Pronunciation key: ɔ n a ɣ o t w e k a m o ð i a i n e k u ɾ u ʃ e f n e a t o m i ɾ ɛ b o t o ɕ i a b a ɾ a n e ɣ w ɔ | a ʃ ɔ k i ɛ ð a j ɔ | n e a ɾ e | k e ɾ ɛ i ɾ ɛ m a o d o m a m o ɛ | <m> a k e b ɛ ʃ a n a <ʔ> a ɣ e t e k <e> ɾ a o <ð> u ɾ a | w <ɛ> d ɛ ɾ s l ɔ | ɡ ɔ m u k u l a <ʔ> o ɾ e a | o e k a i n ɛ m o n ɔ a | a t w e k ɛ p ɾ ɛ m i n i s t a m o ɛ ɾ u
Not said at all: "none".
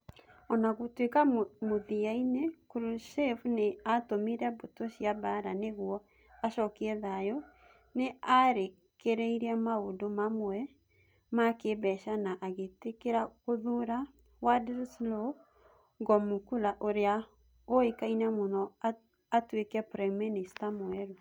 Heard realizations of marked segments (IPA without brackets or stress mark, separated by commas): m, ʔ, e, ð, a, ʔ